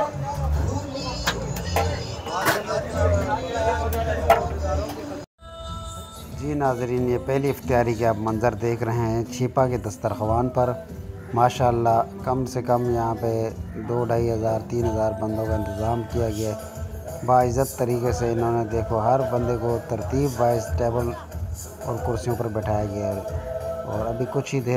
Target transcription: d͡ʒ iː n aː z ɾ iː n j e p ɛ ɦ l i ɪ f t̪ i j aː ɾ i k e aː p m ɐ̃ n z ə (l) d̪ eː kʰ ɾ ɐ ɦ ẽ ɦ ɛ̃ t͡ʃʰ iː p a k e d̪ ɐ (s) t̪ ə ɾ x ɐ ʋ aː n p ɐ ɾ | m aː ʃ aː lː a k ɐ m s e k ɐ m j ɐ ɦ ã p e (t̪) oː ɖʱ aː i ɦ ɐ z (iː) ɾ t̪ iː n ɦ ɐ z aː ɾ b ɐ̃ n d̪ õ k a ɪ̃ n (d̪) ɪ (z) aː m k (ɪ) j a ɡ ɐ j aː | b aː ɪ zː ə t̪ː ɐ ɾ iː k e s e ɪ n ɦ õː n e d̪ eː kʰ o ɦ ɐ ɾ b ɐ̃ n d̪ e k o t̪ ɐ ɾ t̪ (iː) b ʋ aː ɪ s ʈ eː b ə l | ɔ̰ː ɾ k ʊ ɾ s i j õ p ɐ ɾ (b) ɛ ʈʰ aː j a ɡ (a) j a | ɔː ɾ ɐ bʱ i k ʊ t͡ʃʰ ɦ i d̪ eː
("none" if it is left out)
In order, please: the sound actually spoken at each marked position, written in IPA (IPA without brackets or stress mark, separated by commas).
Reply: ɾ, s, d̪, aː, t̪, z, i, iː, b, ɐ